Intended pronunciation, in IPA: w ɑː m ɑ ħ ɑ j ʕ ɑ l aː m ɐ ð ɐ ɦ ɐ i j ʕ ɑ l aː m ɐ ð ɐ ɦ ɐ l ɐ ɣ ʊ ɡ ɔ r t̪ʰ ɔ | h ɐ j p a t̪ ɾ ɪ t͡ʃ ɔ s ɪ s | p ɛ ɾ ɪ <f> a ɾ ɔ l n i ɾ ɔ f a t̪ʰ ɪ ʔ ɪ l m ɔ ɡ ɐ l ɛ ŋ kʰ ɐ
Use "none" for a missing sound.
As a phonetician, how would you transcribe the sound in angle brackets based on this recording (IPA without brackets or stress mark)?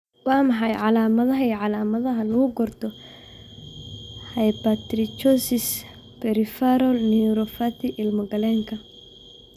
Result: f